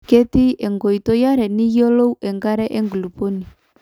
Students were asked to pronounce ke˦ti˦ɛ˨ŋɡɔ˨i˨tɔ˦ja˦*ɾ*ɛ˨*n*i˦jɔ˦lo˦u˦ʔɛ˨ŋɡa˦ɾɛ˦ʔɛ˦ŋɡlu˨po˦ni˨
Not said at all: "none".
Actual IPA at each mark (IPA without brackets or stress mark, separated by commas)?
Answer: ɾ, n